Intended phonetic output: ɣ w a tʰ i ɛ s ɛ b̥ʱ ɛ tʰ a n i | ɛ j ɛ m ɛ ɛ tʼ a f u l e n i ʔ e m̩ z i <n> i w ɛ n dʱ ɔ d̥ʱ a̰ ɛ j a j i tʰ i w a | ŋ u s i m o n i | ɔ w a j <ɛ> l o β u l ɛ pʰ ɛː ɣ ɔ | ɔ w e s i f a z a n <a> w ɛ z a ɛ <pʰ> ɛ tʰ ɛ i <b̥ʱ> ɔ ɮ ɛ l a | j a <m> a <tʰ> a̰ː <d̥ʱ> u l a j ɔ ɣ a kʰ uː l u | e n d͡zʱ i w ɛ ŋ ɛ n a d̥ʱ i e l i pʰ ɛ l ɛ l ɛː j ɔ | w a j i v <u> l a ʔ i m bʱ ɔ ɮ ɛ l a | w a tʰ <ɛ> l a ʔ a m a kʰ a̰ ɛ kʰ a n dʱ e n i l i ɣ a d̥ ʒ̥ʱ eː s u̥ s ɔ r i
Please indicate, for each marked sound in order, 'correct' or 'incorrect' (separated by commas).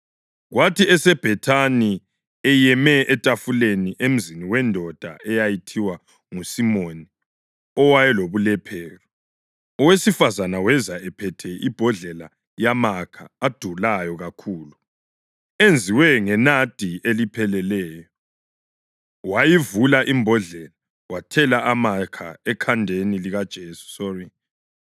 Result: correct, correct, correct, correct, correct, correct, incorrect, correct, correct, correct